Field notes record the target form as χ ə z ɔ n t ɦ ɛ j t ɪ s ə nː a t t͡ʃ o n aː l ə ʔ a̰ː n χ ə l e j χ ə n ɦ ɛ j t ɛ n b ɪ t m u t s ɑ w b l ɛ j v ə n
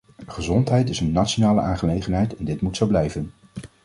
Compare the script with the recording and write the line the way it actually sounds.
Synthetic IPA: χ ə z ɔ n t ɦ ɛ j t ɪ s ə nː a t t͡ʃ o n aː l ə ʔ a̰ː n χ ə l e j χ ə n ɦ ɛ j t ɛ n d ɪ t m u t s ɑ w b l ɛ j v ə n